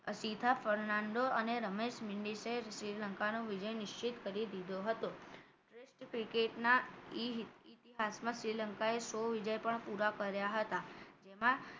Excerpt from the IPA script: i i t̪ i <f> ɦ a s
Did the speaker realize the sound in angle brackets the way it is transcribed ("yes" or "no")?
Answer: no